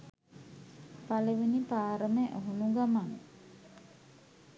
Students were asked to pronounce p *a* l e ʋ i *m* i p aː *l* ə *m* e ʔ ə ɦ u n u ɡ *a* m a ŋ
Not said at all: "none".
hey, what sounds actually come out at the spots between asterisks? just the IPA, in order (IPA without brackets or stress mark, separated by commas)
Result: a, n, ɾ, m, a